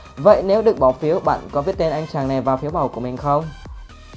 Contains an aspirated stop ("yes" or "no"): no